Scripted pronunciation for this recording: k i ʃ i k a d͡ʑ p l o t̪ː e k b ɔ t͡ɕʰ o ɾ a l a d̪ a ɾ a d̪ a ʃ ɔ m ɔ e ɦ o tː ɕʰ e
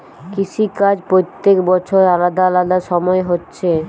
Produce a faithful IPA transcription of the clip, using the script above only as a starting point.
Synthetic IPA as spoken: k i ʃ i k a d͡ʑ p ɾ o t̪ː e k b ɔ t͡ɕʰ o ɾ a l a d̪ a l a d̪ a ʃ ɔ m ɔ e ɦ o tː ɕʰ e